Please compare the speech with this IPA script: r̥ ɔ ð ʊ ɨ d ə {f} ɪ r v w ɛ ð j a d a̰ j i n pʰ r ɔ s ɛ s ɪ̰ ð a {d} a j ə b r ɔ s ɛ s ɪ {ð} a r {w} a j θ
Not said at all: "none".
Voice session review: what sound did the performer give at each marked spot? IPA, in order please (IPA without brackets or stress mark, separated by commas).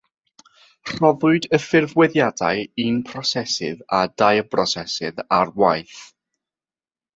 f, d, ð, w